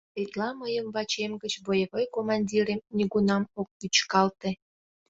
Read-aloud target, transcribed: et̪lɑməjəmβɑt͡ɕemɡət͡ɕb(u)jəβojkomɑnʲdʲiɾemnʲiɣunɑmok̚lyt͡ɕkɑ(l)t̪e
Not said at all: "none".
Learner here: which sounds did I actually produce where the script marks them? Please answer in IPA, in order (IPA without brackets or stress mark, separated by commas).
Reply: o, l